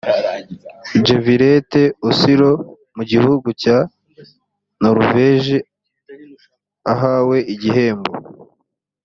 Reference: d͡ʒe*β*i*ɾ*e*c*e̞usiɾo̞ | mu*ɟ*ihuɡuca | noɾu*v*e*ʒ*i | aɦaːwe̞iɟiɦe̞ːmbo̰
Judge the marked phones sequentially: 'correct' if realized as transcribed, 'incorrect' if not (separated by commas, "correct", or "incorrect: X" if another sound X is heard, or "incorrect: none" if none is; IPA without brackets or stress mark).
incorrect: v, correct, incorrect: t, correct, correct, correct